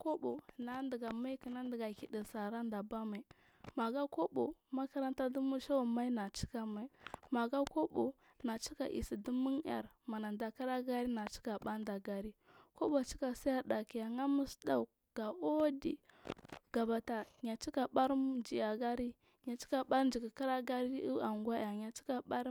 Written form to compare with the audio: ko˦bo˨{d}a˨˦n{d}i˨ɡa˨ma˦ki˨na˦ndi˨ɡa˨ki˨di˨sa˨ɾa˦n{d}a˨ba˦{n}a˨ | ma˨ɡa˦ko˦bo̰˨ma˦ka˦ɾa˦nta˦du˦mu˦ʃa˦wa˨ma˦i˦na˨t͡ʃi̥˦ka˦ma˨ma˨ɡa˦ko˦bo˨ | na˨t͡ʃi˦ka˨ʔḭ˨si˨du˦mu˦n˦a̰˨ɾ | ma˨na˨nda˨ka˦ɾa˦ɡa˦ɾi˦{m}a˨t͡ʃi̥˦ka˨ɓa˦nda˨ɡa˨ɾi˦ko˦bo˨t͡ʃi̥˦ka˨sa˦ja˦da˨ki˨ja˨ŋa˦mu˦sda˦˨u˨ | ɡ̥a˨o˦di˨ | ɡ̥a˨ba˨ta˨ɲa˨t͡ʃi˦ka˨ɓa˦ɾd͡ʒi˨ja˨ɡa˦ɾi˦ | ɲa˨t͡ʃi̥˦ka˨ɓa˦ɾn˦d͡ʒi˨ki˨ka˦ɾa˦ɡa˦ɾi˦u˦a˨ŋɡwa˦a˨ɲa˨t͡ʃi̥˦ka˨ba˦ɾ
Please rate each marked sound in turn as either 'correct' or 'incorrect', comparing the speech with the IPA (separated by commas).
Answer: incorrect, correct, correct, incorrect, incorrect